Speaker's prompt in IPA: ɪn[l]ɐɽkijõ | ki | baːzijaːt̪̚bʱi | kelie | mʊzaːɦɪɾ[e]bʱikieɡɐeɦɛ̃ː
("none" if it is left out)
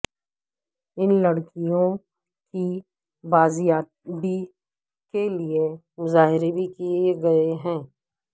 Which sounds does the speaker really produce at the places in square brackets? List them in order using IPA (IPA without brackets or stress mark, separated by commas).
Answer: l, e